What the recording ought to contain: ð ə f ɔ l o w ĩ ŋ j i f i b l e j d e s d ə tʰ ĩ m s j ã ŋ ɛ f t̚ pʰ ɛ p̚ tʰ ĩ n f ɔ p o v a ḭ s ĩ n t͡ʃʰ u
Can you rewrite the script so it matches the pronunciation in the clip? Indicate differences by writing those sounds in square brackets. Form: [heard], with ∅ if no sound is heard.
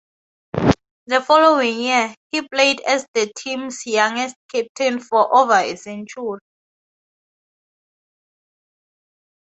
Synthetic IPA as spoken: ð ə f ɔ l o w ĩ ŋ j i [h] i [p] l e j d [ɛ] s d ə tʰ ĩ m s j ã ŋ ɛ [s] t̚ [kʰ] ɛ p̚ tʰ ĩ n f ɔ [ʔ] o v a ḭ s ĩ n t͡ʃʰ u